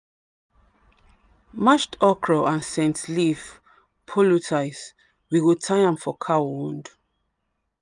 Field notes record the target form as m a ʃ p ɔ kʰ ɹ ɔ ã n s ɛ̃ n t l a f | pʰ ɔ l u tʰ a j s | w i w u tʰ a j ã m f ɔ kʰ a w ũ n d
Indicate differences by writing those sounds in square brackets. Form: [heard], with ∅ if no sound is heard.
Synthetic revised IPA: m a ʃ [t] ɔ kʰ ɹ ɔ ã n s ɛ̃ n t l [i] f | pʰ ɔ l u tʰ a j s | w i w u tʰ a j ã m f ɔ kʰ a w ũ n d

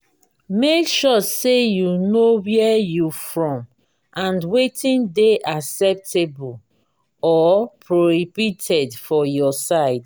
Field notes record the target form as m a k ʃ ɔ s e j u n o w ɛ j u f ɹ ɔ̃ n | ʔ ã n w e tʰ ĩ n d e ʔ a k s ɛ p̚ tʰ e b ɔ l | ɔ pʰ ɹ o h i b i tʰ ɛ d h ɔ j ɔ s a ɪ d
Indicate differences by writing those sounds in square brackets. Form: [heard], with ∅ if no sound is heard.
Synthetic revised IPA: m [e] k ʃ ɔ s e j u n o w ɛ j u f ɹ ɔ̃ [m] | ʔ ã n w e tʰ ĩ n d e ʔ a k s ɛ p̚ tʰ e b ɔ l | ɔ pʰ ɹ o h i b i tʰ ɛ d [f] ɔ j ɔ s a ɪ d

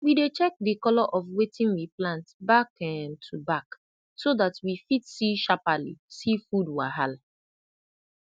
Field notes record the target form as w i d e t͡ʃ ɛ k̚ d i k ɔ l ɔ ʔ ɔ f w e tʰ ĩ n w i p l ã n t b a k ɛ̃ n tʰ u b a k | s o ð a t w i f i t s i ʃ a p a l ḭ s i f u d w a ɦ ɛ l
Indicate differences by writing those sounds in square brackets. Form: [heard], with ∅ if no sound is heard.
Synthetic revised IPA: w i d e t͡ʃ ɛ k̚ d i k ɔ l ɔ ʔ ɔ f w e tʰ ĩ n w i p l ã n t b a k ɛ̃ n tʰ u b a k | s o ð a t w i f i t s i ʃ a p a l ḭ s i f u d w a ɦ [a] l

